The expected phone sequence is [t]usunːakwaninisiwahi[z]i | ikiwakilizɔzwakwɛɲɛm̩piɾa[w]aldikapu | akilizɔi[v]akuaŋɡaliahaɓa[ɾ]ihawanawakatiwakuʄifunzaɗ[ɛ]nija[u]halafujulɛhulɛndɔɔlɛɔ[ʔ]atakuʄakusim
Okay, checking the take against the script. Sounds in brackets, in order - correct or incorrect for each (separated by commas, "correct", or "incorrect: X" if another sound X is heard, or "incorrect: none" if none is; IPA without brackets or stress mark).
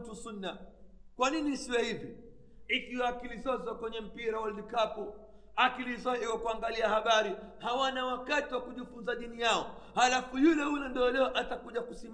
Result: correct, incorrect: v, correct, incorrect: w, correct, incorrect: i, incorrect: ɔ, correct